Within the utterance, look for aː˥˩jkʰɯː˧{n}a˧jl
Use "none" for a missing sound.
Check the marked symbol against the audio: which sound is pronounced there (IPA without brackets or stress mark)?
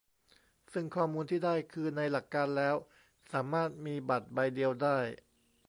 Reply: n